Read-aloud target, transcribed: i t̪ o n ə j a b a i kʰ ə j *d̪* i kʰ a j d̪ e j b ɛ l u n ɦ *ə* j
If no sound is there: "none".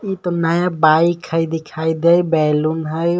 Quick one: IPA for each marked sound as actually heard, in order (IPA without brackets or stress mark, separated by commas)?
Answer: d̪, ə